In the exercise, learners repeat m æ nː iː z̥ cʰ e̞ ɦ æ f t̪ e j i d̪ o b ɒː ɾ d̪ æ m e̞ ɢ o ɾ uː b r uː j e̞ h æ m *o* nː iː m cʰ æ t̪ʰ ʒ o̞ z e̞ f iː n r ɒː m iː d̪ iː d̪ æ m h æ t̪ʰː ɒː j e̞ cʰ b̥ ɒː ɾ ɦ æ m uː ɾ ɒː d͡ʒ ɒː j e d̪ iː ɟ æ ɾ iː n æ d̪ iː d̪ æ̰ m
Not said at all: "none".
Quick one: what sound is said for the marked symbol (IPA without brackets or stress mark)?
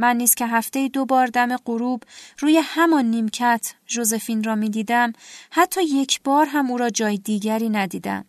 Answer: ɒ